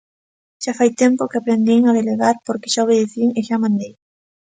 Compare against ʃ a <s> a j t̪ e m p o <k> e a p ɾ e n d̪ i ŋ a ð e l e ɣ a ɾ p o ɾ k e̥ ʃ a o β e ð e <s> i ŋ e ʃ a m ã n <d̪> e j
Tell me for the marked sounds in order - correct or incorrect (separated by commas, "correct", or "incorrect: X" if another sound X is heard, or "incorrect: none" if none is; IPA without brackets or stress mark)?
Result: incorrect: f, correct, incorrect: θ, correct